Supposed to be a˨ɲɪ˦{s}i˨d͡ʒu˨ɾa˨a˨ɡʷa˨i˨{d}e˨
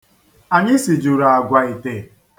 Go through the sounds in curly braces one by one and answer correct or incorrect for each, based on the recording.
correct, incorrect: t

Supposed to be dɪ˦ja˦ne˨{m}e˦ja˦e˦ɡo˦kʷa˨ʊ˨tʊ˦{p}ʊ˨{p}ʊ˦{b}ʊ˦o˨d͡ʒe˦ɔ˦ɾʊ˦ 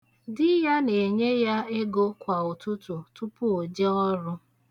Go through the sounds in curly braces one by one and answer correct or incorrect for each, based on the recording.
incorrect: ɲ, incorrect: t, incorrect: t, incorrect: p

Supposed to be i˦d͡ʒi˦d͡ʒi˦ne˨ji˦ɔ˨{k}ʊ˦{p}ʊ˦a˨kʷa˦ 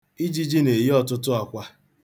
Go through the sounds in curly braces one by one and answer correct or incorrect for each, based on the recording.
incorrect: t, incorrect: t

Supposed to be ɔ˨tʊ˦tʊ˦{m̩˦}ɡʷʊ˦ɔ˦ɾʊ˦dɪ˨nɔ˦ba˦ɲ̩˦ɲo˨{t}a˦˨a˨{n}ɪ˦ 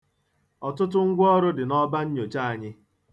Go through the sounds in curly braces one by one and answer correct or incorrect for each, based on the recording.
incorrect: ŋ̩˦, incorrect: t͡ʃ, incorrect: ɲ

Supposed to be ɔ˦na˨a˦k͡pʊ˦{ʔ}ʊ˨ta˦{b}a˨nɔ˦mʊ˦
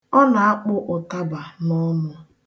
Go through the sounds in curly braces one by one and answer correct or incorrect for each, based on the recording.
correct, correct

